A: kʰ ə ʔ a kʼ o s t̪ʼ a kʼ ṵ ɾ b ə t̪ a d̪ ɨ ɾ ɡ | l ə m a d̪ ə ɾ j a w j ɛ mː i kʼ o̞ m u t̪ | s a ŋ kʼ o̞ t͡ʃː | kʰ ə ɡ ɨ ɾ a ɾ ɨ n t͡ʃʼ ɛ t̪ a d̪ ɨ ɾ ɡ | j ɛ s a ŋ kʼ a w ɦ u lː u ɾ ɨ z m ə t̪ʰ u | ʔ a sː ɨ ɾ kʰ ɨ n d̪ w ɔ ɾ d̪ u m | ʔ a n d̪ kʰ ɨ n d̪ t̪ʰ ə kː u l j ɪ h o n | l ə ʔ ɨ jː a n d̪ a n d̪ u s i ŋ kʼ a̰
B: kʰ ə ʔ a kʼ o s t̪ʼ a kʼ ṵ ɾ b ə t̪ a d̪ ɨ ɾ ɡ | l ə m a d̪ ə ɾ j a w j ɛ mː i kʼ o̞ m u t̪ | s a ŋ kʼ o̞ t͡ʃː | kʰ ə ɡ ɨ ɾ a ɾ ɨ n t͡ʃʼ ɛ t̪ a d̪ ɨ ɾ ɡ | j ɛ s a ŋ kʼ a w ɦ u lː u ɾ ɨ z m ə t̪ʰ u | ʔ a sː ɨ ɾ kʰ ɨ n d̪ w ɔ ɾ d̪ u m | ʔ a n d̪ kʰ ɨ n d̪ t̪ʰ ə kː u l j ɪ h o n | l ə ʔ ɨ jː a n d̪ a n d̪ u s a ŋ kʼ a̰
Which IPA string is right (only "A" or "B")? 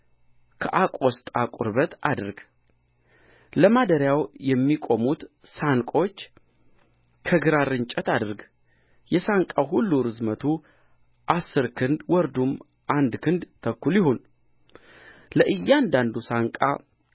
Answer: B